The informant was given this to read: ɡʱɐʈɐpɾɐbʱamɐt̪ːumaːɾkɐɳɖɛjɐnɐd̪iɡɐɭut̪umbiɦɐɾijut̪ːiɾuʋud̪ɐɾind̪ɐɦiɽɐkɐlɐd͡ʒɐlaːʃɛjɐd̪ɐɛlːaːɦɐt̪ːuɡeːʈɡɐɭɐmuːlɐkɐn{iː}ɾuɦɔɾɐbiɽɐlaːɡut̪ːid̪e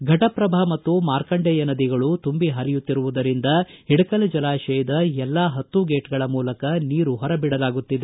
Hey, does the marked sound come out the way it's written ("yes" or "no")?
yes